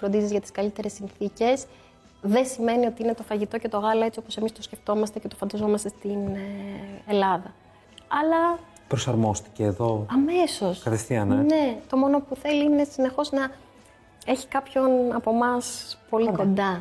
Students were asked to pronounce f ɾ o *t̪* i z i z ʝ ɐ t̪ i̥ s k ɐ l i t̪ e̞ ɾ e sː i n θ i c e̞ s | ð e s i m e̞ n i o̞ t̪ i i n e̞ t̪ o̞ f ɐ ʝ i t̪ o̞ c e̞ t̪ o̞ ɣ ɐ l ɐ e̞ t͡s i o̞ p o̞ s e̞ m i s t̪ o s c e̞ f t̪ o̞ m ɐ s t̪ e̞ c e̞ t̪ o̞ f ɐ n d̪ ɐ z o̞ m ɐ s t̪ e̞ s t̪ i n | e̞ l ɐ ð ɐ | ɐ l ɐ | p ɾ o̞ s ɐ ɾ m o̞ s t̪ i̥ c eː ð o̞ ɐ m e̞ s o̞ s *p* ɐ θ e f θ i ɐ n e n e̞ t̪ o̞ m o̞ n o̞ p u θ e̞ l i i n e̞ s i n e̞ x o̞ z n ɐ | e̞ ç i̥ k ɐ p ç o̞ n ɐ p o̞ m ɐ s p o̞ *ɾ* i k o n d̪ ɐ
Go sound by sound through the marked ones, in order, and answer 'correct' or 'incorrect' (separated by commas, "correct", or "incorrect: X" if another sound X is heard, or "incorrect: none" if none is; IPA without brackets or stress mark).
incorrect: d̪, incorrect: k, incorrect: l